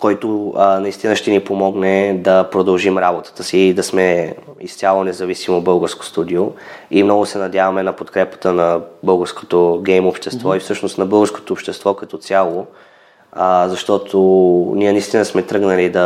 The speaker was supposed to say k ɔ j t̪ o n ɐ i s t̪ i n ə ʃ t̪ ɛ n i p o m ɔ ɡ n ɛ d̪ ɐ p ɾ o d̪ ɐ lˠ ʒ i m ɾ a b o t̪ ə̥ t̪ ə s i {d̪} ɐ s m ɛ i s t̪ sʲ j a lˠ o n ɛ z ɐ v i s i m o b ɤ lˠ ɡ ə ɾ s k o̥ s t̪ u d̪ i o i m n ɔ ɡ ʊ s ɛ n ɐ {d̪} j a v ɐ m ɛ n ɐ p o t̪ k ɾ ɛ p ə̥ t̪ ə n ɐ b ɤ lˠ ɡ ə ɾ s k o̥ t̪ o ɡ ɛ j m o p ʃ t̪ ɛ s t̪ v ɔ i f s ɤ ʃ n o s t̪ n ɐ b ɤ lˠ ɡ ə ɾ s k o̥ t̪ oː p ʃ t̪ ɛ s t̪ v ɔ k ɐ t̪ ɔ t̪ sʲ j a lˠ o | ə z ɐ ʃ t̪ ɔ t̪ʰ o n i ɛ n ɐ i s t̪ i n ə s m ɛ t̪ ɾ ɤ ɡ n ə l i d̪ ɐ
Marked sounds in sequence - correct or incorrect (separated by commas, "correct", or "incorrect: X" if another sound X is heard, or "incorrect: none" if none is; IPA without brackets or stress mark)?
correct, correct